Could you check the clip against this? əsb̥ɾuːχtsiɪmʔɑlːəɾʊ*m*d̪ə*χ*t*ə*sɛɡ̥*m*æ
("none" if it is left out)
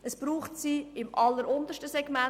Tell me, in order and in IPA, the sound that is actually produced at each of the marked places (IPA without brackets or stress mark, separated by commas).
n, ʃ, ə, m